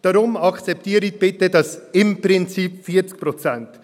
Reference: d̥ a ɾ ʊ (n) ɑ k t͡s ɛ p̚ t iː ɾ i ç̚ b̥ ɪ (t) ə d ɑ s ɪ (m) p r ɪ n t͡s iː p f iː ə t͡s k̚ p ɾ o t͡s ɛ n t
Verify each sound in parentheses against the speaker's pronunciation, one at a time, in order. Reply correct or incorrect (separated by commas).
incorrect, correct, correct